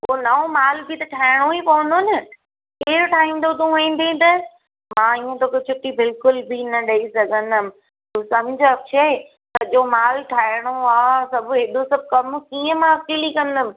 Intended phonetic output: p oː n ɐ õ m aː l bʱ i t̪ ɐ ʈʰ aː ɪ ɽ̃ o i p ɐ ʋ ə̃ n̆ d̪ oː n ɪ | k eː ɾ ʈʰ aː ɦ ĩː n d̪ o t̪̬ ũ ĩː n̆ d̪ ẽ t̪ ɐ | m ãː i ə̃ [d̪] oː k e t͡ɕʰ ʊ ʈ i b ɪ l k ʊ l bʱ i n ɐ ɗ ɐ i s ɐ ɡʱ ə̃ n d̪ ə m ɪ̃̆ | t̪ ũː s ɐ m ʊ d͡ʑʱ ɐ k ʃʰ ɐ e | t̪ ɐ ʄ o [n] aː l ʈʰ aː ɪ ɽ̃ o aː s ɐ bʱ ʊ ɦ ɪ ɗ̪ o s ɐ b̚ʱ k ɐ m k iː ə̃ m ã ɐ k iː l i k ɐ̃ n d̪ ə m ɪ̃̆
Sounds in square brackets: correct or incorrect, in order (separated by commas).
incorrect, incorrect